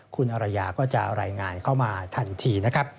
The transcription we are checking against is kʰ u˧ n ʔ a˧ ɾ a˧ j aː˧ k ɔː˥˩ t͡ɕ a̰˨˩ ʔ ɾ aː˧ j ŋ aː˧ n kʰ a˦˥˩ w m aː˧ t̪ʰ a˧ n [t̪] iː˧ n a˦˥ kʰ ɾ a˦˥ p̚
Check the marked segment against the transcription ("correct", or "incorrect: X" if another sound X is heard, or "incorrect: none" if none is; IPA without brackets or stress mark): incorrect: t̪ʰ